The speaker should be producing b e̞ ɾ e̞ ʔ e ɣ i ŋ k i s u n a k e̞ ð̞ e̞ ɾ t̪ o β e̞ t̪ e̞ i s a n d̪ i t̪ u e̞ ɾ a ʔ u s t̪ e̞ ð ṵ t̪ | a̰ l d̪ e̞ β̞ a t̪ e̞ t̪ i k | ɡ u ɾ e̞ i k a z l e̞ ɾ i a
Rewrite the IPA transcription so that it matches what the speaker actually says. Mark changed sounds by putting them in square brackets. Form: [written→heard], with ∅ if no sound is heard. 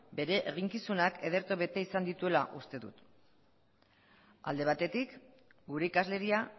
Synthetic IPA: b e̞ ɾ e̞ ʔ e ɣ i ŋ k i s u n a k e̞ ð̞ e̞ ɾ t̪ o β e̞ t̪ e̞ i s a n d̪ i t̪ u e̞ [ɾ→l] a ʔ u s t̪ e̞ ð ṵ t̪ | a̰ l d̪ e̞ β̞ a t̪ e̞ t̪ i k | ɡ u ɾ e̞ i k a z l e̞ ɾ i a

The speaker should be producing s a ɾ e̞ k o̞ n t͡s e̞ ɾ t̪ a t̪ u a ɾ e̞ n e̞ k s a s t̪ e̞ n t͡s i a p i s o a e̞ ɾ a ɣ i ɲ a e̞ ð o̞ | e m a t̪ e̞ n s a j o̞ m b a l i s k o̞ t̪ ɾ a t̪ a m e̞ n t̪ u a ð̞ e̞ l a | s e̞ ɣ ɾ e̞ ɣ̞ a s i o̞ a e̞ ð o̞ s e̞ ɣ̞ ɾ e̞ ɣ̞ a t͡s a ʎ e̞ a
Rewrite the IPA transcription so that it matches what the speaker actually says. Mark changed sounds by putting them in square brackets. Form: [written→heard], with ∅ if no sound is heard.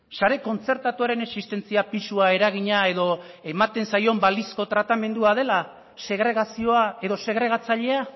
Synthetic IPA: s a ɾ e̞ k o̞ n t͡s e̞ ɾ t̪ a t̪ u a ɾ e̞ n e̞ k s [a→i] s t̪ e̞ n t͡s i a p i s [o→u] a e̞ ɾ a ɣ i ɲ a e̞ ð o̞ | e m a t̪ e̞ n s a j o̞ m b a l i s k o̞ t̪ ɾ a t̪ a m e̞ n [t̪→d̪] u a ð̞ e̞ l a | s e̞ ɣ ɾ e̞ ɣ̞ a s i o̞ a e̞ ð o̞ s e̞ ɣ̞ ɾ e̞ ɣ̞ a t͡s a ʎ e̞ a

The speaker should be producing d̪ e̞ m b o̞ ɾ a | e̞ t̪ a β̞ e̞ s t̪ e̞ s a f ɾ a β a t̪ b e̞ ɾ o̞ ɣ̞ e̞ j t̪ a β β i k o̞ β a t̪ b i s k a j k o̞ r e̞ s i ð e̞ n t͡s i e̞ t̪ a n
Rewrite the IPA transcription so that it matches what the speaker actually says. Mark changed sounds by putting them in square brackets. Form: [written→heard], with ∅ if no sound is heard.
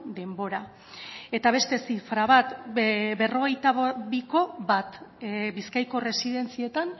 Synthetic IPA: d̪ e̞ m b o̞ ɾ a | e̞ t̪ a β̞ e̞ s t̪ e̞ s [a→i] f ɾ a β a t̪ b e̞ [ɾ→r] o̞ ɣ̞ e̞ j t̪ a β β i k o̞ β a t̪ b i s k a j k o̞ r e̞ s i ð e̞ n t͡s i e̞ t̪ a n

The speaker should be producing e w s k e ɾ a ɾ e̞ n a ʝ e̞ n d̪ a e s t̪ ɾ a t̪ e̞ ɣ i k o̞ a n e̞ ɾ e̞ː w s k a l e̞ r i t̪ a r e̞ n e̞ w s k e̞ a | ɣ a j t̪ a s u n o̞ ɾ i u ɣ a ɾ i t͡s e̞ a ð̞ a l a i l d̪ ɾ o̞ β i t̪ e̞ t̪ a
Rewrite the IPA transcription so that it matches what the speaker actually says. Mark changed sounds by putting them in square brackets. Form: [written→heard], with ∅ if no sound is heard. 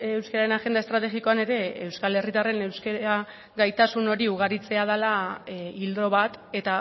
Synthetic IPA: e w s k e ɾ a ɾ e̞ n a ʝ e̞ n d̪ a e s t̪ ɾ a t̪ e̞ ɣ i k o̞ a n e̞ ɾ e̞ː w s k a l e̞ r i t̪ a r e̞ n e̞ w s k e̞ a | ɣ a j t̪ a s u n o̞ ɾ i u ɣ a ɾ i t͡s e̞ a ð̞ a l a i l d̪ ɾ o̞ β [i→a] t̪ e̞ t̪ a

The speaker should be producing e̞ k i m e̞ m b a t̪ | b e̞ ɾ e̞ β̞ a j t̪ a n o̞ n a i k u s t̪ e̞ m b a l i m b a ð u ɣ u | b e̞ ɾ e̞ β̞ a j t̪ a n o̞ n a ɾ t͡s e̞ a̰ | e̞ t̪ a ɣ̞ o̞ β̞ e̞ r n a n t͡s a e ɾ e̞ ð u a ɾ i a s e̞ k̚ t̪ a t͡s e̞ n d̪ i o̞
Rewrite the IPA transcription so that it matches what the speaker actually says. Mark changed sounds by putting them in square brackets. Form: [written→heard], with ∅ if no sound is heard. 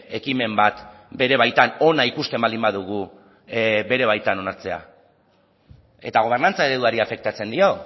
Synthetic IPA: e̞ k i m e̞ m b a t̪ | b e̞ ɾ e̞ β̞ a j t̪ a n o̞ n a i k u s t̪ e̞ m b a l i m b a ð u ɣ u | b e̞ ɾ e̞ β̞ a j t̪ a n o̞ n a ɾ t͡s e̞ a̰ | e̞ t̪ a ɣ̞ o̞ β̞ e̞ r n a n t͡s a e ɾ e̞ ð u a ɾ i a [s→f] e̞ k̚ t̪ a t͡s e̞ n d̪ i o̞

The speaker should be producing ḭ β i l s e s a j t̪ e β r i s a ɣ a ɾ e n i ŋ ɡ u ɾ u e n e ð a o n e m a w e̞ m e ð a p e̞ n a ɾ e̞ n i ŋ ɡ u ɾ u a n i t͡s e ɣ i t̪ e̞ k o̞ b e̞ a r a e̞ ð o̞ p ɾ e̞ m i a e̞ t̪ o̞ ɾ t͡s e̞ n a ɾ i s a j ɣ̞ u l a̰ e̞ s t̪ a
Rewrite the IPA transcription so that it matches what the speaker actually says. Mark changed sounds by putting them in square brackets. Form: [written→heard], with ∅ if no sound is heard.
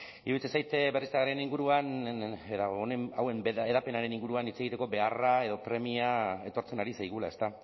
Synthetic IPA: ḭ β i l [s→t͡s] e s a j t̪ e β r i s a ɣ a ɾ e n i ŋ ɡ u ɾ u [e→a] n e ð a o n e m a w e̞ m e ð a p e̞ n a ɾ e̞ n i ŋ ɡ u ɾ u a n i t͡s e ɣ i t̪ e̞ k o̞ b e̞ a r a e̞ ð o̞ p ɾ e̞ m i a e̞ t̪ o̞ ɾ t͡s e̞ n a ɾ i s a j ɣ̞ u l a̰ e̞ s t̪ a

